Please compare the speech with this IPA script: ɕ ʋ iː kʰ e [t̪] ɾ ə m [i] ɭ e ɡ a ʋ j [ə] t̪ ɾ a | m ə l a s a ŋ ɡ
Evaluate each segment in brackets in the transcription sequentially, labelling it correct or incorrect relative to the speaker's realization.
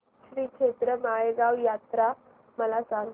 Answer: correct, incorrect: a, incorrect: a

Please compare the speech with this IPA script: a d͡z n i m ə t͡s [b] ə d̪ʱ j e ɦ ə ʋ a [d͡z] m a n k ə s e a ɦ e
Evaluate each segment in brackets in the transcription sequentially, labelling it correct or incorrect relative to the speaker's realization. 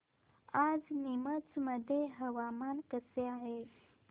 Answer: incorrect: m, incorrect: none

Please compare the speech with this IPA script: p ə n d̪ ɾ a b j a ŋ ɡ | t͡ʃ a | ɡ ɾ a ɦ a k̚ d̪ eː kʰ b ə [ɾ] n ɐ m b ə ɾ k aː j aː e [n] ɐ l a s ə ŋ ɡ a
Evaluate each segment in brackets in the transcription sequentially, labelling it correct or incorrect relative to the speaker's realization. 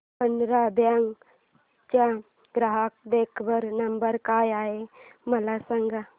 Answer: correct, incorrect: m

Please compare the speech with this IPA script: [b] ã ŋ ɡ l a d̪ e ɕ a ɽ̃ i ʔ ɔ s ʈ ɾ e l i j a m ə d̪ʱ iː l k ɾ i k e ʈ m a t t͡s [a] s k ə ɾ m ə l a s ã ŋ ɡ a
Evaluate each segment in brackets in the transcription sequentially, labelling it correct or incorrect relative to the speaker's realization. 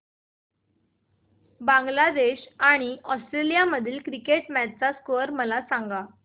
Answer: correct, correct

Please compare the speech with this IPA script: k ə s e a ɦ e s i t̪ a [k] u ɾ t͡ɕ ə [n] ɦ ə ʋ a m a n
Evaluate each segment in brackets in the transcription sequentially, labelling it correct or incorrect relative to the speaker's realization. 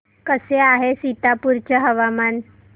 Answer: incorrect: p, incorrect: none

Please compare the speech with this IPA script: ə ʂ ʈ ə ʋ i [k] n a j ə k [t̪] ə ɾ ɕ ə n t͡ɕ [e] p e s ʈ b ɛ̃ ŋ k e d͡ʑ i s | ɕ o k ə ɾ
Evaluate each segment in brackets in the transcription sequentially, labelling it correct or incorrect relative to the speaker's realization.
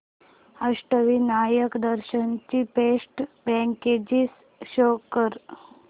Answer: incorrect: none, incorrect: d̪, incorrect: i

